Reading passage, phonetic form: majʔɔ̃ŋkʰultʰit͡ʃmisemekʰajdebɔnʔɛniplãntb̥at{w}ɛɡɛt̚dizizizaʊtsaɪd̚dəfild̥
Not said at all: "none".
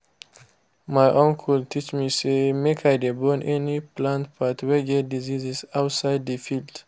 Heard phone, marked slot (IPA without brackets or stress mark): w